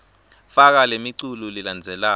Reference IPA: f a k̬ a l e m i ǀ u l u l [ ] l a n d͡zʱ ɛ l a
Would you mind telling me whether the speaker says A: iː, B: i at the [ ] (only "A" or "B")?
B